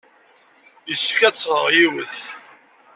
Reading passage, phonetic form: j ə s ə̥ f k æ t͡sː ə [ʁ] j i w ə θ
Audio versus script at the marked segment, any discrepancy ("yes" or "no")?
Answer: no